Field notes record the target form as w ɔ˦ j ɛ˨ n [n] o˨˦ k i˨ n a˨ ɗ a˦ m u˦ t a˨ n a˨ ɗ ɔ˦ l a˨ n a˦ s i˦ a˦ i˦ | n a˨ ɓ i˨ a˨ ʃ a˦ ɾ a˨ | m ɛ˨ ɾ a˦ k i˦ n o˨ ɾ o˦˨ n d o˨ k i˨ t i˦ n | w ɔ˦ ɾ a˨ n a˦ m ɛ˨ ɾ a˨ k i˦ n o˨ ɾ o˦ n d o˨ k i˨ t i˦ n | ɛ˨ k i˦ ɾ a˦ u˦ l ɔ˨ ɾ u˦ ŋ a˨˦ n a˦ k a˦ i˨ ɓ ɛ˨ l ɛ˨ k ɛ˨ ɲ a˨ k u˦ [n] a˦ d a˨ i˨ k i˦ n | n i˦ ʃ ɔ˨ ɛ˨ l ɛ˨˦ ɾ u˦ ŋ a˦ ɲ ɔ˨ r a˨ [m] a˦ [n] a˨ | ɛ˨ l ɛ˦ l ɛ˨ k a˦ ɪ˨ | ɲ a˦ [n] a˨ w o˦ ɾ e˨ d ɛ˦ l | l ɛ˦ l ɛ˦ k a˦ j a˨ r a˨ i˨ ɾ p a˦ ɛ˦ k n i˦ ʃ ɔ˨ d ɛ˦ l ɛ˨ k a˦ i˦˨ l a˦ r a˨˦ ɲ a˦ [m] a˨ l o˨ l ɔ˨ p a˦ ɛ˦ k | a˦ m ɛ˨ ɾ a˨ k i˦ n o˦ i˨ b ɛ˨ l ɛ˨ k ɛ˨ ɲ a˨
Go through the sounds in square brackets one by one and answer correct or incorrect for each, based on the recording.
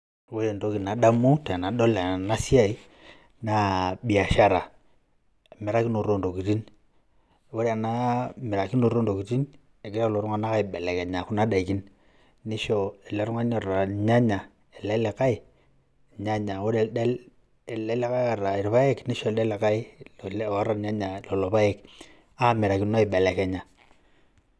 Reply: incorrect: d, correct, incorrect: ɲ, incorrect: ɲ, incorrect: ɲ, incorrect: ɲ

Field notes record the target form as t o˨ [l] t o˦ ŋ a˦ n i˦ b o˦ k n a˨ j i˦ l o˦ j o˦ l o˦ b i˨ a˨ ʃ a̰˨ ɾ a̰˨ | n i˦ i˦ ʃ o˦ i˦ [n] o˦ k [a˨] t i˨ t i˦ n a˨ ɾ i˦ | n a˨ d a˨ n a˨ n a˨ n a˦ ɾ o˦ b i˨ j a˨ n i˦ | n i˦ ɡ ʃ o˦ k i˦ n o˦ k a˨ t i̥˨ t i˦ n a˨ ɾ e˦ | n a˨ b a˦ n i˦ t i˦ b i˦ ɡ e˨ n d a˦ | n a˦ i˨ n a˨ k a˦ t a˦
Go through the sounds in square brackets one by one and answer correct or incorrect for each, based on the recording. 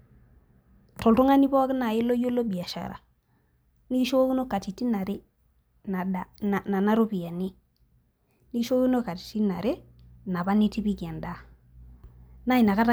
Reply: correct, correct, correct

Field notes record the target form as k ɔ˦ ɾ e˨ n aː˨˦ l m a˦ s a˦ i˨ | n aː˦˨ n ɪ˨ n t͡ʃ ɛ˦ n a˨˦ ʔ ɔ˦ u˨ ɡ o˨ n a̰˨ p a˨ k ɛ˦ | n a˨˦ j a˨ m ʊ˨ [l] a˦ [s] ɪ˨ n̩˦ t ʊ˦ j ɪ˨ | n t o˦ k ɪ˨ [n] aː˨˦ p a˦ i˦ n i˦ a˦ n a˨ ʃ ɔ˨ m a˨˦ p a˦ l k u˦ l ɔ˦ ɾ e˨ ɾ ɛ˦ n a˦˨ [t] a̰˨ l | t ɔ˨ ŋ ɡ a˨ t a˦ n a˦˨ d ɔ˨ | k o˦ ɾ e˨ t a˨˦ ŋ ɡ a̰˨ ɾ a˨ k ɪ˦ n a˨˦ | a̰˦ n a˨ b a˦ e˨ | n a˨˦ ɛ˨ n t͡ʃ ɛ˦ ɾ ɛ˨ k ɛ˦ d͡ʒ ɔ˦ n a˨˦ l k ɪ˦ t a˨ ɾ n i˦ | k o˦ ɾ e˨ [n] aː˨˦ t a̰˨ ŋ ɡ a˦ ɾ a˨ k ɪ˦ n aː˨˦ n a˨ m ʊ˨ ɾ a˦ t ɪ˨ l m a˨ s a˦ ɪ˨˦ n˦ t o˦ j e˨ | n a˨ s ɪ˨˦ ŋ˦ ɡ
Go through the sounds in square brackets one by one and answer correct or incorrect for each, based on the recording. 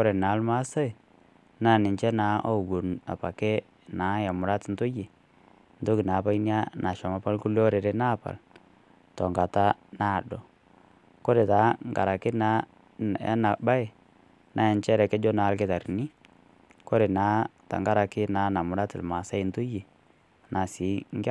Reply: incorrect: ɾ, incorrect: t, correct, incorrect: p, correct

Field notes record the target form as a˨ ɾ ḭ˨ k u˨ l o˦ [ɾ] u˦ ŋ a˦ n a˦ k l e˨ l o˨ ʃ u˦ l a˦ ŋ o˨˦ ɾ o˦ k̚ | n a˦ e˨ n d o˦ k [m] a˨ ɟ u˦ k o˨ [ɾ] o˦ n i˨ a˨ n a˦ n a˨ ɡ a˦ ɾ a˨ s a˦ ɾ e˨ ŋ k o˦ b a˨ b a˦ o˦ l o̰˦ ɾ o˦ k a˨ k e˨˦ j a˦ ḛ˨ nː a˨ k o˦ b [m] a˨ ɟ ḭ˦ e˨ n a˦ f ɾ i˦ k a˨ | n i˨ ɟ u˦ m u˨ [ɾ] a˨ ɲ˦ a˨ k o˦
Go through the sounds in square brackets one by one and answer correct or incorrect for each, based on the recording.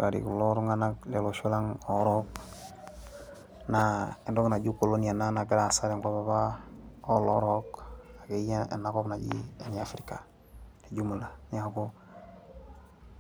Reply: correct, incorrect: n, incorrect: l, incorrect: n, incorrect: l

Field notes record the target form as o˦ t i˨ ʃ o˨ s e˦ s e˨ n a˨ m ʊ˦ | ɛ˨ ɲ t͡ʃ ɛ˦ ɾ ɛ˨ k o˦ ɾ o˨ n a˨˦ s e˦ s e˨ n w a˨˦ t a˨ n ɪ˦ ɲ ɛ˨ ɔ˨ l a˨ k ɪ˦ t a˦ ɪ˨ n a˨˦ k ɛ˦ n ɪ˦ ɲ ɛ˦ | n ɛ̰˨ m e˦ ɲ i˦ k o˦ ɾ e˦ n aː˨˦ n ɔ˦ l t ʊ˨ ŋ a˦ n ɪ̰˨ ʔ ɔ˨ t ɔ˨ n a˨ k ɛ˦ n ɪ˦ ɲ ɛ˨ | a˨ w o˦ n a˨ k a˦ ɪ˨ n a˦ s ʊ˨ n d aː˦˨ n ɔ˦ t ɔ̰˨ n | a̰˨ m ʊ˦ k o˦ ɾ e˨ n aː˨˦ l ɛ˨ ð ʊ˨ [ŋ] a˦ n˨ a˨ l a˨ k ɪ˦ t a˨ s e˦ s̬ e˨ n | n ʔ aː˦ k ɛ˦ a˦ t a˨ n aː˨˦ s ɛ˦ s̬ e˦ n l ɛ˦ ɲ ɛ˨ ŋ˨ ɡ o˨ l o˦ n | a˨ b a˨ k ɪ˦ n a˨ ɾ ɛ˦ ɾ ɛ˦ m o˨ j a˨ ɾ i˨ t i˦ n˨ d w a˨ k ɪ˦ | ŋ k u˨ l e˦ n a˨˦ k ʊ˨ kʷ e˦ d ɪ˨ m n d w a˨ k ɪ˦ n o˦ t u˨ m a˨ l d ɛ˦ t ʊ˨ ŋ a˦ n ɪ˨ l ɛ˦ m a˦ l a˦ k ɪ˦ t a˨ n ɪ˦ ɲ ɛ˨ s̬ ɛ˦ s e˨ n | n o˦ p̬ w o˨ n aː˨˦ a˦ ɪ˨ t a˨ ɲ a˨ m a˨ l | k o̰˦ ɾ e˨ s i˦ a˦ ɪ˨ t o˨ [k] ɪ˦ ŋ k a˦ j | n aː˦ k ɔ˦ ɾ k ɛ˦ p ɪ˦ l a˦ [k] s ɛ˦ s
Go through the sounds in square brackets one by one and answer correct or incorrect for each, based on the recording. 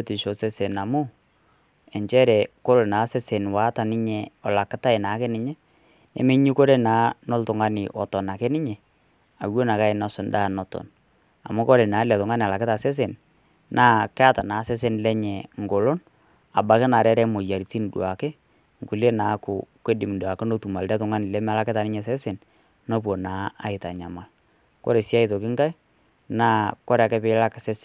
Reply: correct, correct, correct

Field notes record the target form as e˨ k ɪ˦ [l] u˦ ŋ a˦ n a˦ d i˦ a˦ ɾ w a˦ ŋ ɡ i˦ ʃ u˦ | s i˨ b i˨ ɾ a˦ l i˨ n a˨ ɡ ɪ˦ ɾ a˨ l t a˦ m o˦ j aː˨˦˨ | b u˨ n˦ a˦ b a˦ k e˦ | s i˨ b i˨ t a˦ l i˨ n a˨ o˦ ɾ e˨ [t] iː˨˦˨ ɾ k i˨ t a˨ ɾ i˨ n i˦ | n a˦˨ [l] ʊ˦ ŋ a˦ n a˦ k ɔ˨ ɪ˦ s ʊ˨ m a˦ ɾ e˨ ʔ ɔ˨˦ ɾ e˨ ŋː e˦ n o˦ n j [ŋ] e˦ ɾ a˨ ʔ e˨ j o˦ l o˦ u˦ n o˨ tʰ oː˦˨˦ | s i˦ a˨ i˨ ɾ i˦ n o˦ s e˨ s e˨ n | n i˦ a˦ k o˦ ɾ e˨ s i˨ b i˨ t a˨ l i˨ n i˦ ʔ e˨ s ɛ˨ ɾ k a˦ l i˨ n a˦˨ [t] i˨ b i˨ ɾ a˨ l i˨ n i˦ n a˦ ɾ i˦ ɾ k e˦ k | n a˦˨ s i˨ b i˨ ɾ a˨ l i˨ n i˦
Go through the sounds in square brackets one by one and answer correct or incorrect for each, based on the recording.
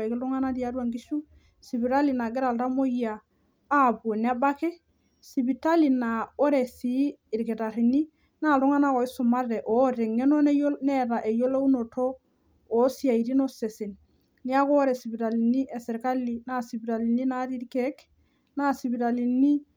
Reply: correct, incorrect: s, correct, incorrect: n, incorrect: s

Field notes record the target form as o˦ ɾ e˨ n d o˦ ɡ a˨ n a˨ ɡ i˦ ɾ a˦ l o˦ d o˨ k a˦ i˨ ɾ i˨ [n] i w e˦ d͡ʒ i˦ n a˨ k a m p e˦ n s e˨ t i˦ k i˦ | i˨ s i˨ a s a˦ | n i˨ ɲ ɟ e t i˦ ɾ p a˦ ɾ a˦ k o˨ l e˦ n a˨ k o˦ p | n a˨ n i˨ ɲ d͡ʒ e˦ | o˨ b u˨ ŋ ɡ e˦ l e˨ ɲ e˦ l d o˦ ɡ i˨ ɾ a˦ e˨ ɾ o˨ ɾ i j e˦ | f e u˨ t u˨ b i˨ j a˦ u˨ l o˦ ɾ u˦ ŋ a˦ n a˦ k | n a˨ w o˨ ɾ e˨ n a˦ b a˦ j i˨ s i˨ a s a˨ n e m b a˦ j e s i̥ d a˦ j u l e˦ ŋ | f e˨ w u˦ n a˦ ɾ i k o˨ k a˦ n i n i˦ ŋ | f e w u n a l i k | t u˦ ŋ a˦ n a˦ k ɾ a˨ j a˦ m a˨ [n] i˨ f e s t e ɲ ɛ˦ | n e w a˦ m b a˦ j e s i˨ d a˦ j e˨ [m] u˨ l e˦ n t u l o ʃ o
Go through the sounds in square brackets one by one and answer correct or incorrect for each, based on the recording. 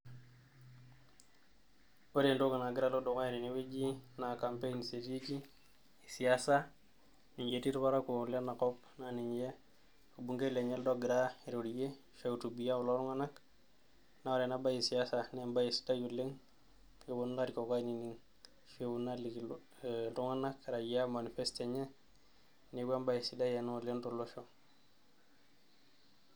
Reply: correct, correct, incorrect: n

